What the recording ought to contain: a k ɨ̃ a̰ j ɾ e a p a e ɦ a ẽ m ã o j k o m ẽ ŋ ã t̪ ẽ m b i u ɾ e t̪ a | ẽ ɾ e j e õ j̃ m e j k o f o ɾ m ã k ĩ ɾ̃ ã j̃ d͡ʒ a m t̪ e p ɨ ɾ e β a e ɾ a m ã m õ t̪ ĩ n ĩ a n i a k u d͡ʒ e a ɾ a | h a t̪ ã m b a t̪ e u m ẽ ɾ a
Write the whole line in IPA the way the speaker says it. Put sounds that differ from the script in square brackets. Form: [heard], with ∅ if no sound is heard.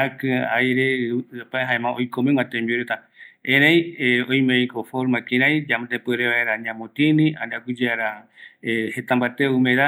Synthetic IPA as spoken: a k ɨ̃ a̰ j ɾ e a p a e ɦ a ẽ m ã o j k o m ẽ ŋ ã t̪ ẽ m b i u ɾ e t̪ a | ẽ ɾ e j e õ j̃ m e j k o f o ɾ m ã k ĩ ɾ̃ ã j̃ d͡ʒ a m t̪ e p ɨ ɾ e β a e ɾ a [ɲ] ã m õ t̪ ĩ n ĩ a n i a k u d͡ʒ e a ɾ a | h [e] t̪ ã m b a t̪ e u m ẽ ɾ a